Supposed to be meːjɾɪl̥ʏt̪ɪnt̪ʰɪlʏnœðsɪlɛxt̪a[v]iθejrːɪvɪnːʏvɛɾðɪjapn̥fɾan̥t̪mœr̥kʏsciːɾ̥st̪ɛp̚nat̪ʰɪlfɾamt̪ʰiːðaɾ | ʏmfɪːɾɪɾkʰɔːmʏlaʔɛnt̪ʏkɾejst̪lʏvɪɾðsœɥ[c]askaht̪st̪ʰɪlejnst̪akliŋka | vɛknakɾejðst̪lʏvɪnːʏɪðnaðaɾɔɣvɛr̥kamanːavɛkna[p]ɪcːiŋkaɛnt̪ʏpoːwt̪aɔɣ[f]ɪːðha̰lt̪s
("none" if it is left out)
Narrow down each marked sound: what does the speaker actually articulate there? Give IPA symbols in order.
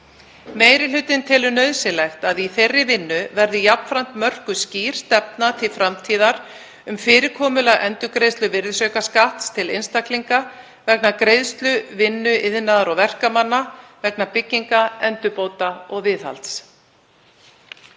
ð, k, p, v

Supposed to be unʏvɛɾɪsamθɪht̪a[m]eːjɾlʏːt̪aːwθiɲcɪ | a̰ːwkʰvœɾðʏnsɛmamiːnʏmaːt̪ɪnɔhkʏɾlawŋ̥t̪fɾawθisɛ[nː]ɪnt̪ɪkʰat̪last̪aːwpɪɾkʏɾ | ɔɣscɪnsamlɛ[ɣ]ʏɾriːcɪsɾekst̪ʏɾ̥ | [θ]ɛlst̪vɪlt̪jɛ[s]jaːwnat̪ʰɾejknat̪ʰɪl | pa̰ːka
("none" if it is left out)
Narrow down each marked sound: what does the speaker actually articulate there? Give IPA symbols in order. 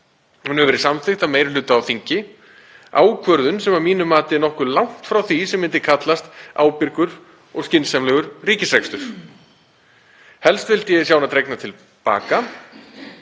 m, mː, ɣ, h, s

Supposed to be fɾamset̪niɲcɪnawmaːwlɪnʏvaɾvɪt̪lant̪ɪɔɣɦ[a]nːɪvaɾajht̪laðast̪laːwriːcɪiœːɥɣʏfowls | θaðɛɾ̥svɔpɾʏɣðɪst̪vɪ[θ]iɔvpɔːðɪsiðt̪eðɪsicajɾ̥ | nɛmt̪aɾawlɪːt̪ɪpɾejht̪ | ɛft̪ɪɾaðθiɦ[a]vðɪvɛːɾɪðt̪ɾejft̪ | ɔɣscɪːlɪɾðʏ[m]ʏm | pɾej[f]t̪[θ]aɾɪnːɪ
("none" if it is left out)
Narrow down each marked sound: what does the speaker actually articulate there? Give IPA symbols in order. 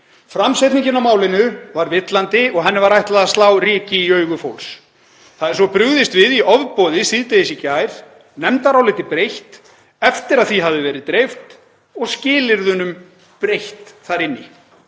ɛ, ð, a, n, h, θ

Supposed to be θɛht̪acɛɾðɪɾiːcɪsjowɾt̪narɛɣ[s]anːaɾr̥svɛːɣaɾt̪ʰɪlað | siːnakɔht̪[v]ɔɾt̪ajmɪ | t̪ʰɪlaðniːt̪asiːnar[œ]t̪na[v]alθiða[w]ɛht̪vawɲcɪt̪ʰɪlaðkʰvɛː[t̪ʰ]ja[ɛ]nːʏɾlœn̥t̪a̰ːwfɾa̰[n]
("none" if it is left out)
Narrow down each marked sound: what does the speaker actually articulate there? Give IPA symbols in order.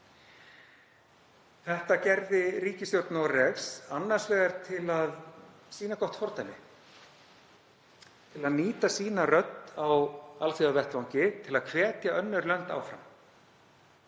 s, f, œ, w, v, t̪, œ, m

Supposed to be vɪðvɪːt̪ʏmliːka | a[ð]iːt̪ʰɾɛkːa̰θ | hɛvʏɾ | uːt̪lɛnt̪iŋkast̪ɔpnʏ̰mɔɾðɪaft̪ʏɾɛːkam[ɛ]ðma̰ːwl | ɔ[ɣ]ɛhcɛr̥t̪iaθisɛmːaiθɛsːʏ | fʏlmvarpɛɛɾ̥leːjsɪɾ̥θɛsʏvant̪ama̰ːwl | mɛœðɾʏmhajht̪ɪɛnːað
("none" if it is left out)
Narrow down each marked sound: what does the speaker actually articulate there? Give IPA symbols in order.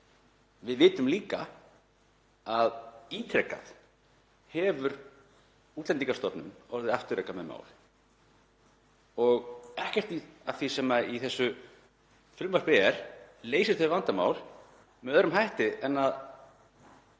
ð, ɛ, ɣ

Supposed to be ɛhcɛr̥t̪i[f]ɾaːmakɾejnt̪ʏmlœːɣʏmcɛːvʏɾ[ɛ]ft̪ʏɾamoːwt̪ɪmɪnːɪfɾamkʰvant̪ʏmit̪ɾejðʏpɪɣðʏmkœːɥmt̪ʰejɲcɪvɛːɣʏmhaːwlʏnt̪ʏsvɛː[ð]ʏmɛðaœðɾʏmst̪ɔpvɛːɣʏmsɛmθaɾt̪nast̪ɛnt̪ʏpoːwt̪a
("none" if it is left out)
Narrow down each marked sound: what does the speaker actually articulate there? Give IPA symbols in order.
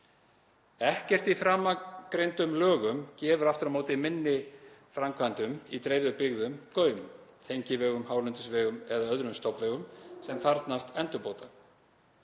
f, a, ɣ

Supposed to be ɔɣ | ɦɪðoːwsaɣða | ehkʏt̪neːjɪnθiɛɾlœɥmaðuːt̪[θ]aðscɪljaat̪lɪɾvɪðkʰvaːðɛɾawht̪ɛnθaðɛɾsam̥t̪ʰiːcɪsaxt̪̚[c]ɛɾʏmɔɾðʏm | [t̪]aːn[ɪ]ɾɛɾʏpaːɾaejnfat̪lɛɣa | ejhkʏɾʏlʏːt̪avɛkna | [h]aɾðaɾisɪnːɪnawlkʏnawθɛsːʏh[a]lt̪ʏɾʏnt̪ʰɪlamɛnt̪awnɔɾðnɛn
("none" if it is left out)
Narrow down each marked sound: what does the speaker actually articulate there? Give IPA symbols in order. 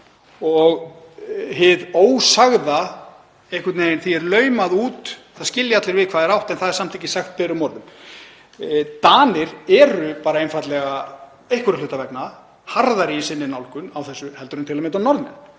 θ, p, t̪, ɪ, h, ɛ

